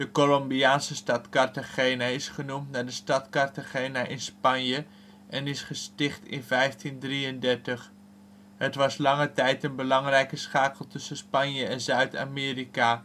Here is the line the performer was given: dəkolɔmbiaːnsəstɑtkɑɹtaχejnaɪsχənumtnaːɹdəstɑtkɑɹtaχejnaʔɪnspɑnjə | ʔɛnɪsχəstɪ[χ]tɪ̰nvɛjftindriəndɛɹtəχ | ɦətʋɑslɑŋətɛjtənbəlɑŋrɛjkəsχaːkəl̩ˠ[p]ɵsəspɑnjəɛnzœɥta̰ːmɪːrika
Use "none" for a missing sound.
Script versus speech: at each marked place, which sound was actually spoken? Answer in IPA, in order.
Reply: χ, t

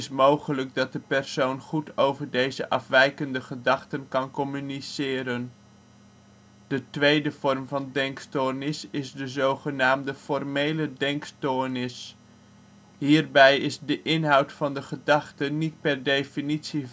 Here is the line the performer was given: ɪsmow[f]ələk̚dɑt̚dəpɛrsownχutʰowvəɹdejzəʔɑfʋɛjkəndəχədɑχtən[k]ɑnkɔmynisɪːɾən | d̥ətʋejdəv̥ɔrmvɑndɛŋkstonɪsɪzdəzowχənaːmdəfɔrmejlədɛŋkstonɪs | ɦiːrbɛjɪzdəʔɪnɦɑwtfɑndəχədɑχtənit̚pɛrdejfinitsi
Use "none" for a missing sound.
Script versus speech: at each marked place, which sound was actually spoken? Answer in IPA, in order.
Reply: χ, k

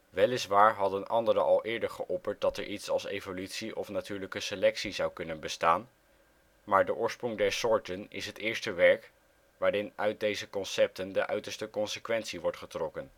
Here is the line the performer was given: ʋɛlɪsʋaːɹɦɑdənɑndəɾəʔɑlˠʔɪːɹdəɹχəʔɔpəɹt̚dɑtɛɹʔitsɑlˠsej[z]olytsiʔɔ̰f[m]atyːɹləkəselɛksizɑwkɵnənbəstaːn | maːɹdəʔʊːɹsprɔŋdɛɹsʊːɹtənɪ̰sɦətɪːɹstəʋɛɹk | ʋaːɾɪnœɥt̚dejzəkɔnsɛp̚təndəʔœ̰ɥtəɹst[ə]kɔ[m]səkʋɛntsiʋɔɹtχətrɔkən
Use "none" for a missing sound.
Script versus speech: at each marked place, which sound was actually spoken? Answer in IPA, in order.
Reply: v, n, ə, n

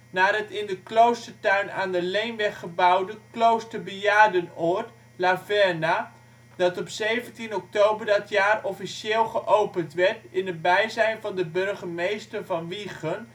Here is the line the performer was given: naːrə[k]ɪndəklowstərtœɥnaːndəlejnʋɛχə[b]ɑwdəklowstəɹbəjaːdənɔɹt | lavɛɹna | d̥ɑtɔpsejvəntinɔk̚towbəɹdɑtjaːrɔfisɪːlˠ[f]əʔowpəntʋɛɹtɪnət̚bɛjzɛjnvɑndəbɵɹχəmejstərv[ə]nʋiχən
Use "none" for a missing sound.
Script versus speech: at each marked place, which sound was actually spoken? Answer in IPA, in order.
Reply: t, b, χ, ɑ

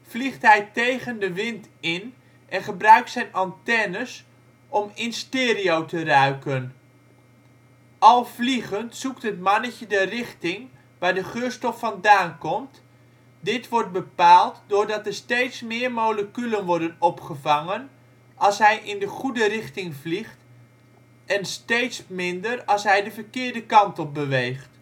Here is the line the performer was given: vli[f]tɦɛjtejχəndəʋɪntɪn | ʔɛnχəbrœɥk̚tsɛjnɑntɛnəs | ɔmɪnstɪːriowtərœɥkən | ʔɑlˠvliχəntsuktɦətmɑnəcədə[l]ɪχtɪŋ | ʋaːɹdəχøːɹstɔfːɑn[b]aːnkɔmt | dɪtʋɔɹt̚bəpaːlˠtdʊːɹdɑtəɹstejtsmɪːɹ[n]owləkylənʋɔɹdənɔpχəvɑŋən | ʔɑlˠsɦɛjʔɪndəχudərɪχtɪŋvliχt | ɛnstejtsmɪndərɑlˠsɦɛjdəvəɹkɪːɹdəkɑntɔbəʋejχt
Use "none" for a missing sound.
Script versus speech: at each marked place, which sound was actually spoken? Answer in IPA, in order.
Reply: χ, r, d, m

